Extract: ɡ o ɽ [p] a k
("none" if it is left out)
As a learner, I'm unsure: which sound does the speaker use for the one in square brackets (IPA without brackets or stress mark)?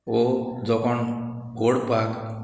p